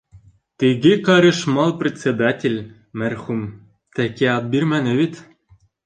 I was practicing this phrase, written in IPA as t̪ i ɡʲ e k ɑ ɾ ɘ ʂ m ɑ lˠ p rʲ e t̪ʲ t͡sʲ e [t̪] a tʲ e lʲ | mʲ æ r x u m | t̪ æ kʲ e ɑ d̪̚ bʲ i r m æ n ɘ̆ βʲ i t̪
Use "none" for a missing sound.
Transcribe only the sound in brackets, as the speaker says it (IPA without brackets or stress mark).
d̪